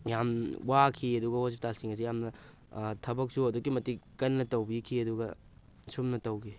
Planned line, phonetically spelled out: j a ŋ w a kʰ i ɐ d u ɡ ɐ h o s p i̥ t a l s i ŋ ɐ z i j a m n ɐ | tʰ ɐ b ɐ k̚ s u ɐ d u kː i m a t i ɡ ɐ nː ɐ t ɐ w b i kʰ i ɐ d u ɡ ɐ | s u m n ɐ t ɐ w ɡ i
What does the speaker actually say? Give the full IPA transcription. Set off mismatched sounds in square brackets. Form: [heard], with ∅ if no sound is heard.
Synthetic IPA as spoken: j a [m] w a kʰ i ɐ d u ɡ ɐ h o s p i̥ t a l s i ŋ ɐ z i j a m n ɐ | tʰ ɐ b ɐ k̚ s u ɐ d u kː i m [ɐ] t i [k] ɐ nː ɐ t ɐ w b i kʰ i ɐ d u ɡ ɐ | s u m n ɐ t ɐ w ɡ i